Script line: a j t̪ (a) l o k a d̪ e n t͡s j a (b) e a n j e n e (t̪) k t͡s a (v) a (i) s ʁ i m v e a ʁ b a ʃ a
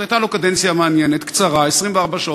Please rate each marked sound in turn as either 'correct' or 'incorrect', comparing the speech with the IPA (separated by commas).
correct, incorrect, correct, incorrect, incorrect